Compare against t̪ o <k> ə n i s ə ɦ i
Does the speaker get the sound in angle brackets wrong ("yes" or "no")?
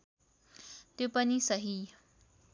yes